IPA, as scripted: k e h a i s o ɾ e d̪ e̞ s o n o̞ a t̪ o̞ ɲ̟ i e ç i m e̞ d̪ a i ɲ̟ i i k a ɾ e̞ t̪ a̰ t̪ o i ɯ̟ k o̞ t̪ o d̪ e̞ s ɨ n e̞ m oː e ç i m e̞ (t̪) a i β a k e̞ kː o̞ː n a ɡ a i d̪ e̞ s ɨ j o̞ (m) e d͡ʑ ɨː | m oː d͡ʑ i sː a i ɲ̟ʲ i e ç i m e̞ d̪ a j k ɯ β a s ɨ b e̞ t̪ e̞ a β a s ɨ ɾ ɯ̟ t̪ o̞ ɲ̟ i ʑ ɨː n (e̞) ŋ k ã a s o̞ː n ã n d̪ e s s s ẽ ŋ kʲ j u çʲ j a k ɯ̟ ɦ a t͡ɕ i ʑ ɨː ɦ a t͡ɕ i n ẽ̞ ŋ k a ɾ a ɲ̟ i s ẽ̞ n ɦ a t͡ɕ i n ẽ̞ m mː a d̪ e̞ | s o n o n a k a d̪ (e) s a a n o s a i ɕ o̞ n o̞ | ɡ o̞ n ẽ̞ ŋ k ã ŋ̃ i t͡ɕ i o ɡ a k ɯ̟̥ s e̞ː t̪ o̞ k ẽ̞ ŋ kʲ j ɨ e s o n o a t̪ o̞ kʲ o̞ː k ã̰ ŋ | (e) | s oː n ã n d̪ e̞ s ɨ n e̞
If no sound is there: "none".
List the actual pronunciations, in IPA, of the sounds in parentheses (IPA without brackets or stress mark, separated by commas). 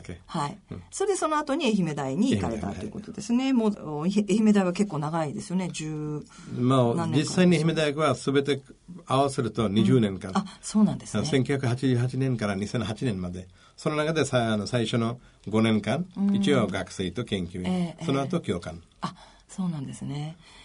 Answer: d̪, n, ẽ̞, e, a